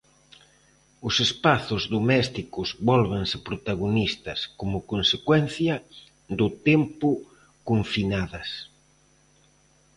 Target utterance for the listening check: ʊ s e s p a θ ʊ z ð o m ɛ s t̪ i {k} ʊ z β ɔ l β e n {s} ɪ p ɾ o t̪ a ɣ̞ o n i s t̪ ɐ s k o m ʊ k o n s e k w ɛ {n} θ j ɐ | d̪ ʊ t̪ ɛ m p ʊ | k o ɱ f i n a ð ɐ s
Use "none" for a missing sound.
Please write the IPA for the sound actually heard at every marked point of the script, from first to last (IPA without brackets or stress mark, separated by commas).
k, s, n